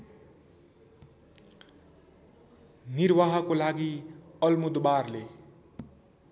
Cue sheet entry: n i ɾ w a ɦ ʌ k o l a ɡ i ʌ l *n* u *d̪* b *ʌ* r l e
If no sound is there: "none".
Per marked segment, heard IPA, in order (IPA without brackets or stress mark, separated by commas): m, d̪, a